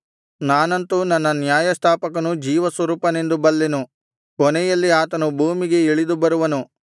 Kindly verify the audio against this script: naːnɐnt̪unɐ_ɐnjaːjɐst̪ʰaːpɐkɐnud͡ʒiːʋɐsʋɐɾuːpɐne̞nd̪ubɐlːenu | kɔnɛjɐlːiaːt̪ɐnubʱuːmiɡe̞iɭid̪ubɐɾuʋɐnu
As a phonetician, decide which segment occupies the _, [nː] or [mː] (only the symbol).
nː